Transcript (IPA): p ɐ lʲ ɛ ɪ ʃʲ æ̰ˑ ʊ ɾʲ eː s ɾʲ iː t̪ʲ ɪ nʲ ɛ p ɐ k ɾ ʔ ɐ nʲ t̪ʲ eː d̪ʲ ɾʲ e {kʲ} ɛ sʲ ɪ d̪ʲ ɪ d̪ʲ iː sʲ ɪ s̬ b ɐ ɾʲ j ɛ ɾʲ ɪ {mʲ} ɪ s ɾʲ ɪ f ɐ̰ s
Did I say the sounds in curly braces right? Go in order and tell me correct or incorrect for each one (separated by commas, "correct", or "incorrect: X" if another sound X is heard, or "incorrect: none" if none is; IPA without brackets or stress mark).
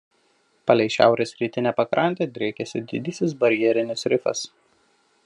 correct, incorrect: nʲ